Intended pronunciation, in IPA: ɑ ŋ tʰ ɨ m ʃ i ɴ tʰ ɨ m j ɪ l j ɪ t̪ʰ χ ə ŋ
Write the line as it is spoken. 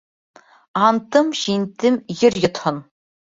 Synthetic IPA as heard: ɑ n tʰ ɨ m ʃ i n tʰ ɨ m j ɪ r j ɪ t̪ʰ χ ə n